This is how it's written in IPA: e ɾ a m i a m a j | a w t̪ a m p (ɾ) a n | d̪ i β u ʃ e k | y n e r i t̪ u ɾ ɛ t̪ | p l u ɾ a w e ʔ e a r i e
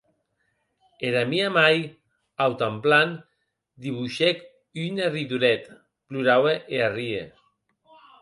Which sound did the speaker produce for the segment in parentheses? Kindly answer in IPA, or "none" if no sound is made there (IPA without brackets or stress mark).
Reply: l